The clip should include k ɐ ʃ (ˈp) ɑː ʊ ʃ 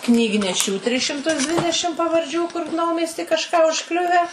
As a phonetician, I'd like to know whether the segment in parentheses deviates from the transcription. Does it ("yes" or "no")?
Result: yes